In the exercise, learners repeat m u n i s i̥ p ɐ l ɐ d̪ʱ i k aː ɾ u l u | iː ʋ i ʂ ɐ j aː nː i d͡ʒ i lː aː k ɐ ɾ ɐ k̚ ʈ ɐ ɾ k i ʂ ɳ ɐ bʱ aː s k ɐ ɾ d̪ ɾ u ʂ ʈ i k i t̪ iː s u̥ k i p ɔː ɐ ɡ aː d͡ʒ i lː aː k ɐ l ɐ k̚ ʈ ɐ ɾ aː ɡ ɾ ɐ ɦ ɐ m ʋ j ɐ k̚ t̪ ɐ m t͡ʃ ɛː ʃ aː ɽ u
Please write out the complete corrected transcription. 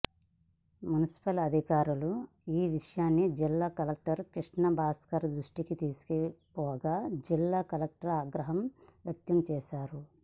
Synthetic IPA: m u n i s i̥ p ɐ l ɐ d̪ʱ i k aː ɾ u l u | iː ʋ i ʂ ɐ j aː nː i d͡ʒ i lː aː k ɐ l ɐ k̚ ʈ ɐ ɾ k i ʂ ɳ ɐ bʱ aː s k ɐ ɾ d̪ ɾ u ʂ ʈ i k i t̪ iː s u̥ k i p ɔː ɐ ɡ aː d͡ʒ i lː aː k ɐ l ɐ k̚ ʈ ɐ ɾ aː ɡ ɾ ɐ ɦ ɐ m ʋ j ɐ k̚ t̪ ɐ m t͡ʃ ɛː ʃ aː ɾ u